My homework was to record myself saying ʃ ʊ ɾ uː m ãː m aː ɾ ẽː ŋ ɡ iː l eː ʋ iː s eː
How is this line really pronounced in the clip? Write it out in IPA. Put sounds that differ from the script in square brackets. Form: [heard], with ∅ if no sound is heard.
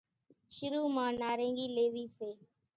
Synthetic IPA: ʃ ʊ ɾ uː m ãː [n] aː ɾ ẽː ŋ ɡ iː l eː ʋ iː s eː